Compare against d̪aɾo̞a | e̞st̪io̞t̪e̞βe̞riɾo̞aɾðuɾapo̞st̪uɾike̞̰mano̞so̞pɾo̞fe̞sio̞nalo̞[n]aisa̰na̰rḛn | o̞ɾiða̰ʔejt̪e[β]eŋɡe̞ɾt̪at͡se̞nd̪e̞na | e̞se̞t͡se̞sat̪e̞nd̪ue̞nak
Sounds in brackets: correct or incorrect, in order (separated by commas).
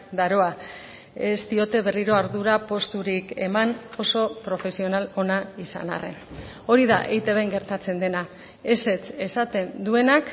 correct, correct